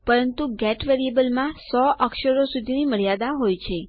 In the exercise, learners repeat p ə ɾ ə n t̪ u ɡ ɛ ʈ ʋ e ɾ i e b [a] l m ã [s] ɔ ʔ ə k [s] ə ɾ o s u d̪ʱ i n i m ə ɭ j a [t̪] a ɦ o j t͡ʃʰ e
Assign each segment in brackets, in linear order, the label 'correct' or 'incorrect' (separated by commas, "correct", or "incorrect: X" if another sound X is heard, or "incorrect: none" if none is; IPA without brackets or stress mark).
incorrect: ə, correct, incorrect: ʃ, incorrect: d̪